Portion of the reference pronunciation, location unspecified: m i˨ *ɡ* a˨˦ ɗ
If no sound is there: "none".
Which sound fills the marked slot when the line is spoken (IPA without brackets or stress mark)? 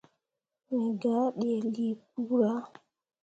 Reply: ɡ